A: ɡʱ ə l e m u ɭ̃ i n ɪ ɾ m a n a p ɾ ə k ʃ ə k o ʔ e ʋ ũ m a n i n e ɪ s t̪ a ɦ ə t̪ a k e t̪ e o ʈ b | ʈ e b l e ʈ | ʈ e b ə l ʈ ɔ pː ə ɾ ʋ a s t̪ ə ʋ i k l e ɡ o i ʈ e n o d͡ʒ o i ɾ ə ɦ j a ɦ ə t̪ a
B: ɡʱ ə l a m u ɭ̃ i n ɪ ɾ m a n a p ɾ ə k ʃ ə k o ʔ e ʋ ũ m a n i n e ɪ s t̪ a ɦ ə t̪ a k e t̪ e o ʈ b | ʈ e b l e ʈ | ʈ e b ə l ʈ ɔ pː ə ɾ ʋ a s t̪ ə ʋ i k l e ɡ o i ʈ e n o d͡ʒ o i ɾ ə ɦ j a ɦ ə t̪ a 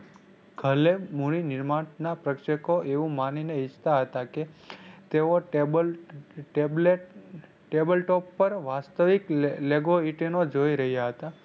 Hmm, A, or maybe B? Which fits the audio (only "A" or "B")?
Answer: A